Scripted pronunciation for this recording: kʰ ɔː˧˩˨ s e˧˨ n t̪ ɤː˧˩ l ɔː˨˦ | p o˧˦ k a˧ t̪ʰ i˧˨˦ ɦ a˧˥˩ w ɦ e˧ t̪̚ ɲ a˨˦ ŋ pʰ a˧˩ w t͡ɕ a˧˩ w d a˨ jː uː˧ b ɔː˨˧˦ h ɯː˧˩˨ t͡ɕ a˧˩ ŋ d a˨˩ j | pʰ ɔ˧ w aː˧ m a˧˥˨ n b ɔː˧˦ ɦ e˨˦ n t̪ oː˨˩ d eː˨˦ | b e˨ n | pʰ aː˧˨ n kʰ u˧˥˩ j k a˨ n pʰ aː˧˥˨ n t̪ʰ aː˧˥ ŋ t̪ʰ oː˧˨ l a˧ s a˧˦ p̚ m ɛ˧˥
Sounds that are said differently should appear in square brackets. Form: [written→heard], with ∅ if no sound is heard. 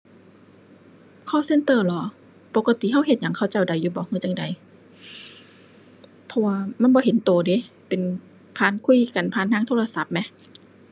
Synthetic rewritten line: kʰ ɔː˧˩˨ s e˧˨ n t̪ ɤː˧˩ l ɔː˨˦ | p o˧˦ k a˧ [t̪ʰ→t̪] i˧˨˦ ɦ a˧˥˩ w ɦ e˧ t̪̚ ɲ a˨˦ ŋ [pʰ→kʰ] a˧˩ w t͡ɕ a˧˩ w d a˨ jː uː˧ b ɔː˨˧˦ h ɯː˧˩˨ t͡ɕ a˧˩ ŋ d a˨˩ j | pʰ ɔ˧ w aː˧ m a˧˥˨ n b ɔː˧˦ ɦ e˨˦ n t̪ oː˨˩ d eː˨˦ | [b→p] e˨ n | pʰ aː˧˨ n kʰ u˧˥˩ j k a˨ n pʰ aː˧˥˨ n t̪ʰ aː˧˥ ŋ t̪ʰ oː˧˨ l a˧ s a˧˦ p̚ m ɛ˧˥